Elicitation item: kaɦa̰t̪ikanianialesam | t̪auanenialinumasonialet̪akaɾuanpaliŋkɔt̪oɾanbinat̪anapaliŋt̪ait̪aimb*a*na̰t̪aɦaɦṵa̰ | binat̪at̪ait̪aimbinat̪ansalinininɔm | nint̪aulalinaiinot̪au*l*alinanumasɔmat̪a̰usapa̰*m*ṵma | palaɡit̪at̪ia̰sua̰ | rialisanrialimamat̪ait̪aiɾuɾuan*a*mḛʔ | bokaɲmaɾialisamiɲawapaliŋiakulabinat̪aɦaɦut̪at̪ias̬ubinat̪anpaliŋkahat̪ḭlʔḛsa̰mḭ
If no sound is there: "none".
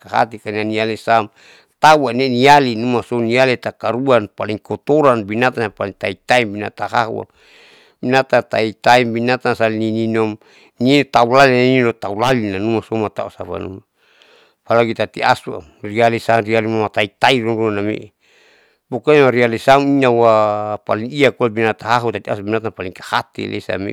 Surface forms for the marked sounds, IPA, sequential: i, l, n, a

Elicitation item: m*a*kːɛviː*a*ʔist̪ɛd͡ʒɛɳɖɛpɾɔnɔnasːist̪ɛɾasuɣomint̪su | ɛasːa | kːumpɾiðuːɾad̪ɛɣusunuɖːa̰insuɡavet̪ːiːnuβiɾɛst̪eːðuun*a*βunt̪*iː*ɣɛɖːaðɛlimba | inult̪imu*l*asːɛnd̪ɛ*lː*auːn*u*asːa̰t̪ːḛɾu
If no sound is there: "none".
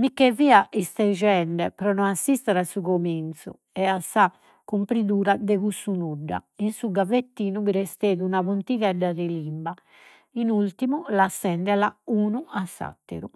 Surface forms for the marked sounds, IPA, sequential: i, a, a, i, l, l, u

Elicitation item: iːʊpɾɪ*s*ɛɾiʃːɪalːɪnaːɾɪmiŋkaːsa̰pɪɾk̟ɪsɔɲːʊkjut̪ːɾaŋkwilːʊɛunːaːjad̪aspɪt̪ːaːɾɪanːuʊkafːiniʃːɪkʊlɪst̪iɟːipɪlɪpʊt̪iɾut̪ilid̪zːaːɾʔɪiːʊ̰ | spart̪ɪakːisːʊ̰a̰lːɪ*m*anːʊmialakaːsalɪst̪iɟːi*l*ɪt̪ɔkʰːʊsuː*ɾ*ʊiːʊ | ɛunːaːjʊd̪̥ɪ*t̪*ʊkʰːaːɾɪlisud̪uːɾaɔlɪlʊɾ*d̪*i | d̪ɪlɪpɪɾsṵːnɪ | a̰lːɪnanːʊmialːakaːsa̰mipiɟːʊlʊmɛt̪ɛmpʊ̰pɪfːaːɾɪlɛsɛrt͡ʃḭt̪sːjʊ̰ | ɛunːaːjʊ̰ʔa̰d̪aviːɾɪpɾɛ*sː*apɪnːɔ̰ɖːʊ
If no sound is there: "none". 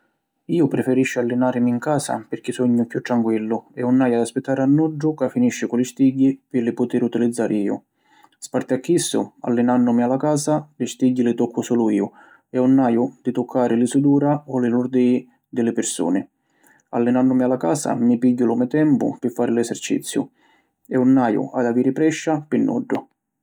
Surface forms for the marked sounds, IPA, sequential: f, n, l, l, t̪, d̪, ʃː

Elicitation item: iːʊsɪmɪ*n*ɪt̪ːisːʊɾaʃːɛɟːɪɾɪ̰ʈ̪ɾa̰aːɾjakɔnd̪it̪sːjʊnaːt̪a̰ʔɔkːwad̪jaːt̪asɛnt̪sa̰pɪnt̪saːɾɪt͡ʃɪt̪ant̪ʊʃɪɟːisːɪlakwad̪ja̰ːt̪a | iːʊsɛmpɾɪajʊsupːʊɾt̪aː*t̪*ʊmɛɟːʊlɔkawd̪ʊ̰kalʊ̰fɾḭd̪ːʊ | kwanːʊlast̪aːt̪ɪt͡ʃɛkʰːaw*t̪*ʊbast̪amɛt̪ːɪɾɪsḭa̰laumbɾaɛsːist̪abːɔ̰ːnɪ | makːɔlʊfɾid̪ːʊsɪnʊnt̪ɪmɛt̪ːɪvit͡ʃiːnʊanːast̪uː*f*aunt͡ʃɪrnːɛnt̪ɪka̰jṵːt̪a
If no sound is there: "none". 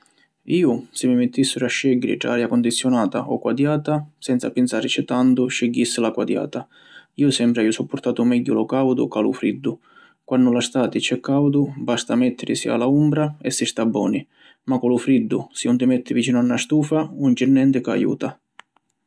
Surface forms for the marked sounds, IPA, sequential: m, t̪, d̪, f

